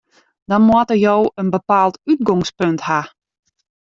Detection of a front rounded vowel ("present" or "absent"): present